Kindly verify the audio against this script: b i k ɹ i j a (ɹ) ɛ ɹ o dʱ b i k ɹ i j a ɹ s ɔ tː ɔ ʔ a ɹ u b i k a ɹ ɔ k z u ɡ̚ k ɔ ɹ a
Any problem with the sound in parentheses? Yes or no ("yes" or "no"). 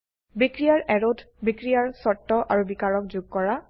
no